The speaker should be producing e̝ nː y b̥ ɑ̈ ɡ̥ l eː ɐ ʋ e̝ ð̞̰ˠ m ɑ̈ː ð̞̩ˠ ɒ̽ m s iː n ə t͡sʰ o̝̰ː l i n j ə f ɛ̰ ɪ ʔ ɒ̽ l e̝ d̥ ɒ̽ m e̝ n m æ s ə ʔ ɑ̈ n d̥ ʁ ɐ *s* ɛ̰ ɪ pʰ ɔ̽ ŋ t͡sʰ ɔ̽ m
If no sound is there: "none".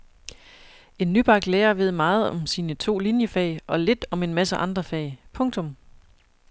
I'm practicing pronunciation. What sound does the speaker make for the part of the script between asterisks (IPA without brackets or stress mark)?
f